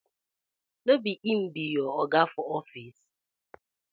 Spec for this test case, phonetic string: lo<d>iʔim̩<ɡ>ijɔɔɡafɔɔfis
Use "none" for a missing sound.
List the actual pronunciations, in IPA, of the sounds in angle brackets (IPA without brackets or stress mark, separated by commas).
b, b